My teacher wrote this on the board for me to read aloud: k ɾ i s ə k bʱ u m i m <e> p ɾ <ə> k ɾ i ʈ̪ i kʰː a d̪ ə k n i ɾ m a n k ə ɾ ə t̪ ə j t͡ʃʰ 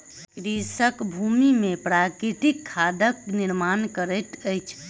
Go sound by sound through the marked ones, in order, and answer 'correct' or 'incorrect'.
correct, incorrect

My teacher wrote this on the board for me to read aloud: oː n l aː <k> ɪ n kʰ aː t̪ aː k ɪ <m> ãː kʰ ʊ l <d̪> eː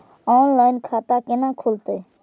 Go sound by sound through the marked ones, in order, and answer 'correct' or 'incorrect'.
incorrect, incorrect, incorrect

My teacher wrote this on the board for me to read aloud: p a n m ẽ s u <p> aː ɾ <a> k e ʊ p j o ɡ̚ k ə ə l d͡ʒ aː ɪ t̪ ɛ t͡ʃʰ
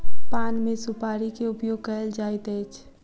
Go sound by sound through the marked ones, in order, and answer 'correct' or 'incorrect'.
correct, incorrect

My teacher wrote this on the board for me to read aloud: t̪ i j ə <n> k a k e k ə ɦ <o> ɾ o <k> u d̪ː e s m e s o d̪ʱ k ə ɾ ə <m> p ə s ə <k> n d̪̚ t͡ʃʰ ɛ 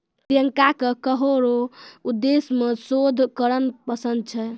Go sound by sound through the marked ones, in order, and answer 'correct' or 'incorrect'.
incorrect, correct, incorrect, incorrect, incorrect

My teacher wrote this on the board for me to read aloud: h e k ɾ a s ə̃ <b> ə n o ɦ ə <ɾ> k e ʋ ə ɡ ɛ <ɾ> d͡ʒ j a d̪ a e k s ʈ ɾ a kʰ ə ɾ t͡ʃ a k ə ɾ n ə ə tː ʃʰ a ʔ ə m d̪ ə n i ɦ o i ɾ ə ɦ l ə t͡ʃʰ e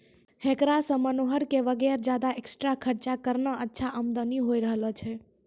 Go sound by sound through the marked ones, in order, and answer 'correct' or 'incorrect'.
incorrect, correct, correct

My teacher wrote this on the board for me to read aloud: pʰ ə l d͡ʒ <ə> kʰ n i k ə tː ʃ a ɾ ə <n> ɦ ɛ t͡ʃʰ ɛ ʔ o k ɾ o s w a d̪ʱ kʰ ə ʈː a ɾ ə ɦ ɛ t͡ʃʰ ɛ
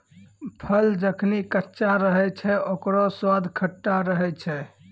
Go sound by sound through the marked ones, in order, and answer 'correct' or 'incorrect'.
correct, incorrect

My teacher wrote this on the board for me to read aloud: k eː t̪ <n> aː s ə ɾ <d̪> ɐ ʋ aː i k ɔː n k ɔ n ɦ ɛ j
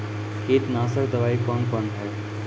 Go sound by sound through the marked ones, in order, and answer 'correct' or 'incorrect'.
correct, correct

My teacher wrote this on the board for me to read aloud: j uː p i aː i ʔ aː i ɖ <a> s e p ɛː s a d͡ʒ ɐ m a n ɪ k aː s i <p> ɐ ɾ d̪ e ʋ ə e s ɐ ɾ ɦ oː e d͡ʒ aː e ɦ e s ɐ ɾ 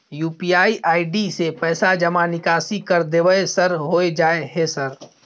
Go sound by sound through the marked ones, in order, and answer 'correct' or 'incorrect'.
incorrect, incorrect

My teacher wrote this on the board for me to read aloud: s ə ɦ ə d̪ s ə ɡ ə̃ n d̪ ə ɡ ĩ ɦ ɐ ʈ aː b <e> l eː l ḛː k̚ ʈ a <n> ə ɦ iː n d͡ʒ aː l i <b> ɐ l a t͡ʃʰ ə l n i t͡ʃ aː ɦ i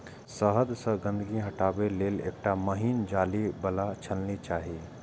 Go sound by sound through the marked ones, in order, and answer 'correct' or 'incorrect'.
correct, incorrect, correct

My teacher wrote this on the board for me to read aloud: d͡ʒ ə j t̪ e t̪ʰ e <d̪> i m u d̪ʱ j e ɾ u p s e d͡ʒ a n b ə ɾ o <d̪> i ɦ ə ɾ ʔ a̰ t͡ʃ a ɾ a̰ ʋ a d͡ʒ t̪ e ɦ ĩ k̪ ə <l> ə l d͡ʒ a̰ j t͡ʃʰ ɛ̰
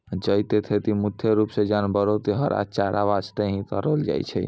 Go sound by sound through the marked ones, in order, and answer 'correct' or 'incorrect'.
incorrect, incorrect, incorrect

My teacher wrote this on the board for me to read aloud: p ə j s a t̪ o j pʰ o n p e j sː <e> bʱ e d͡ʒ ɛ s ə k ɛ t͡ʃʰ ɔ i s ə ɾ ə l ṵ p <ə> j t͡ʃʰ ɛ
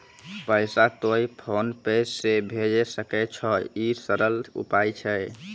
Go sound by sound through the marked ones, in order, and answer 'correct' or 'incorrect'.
correct, incorrect

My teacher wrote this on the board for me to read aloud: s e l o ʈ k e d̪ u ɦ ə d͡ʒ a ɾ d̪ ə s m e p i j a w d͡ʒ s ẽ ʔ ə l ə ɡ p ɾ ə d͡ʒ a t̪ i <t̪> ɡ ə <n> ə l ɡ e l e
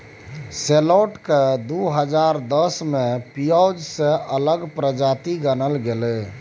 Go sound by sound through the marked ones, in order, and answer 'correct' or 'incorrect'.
incorrect, correct

